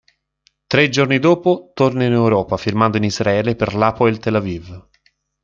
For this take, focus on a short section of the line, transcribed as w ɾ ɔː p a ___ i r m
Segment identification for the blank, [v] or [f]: f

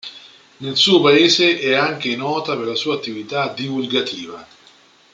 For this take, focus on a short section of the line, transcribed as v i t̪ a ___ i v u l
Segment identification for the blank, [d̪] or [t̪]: d̪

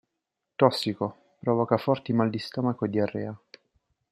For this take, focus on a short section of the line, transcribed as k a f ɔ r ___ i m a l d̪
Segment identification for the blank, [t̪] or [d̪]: t̪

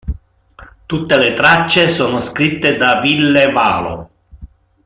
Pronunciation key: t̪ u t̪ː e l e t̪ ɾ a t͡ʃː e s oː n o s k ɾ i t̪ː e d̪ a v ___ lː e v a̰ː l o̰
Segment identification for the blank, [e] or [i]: i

